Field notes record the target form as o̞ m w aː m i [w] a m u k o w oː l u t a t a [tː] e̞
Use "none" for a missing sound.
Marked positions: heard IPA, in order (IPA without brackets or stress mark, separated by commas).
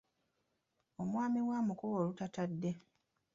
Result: w, dː